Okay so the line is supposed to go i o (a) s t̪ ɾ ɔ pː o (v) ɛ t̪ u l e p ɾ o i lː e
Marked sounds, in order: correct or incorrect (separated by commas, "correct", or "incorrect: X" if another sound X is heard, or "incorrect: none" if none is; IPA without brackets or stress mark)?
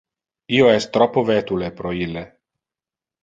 incorrect: ɛ, correct